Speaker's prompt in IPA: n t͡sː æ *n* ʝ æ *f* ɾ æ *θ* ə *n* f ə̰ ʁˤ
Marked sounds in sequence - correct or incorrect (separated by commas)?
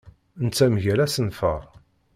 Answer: incorrect, incorrect, incorrect, correct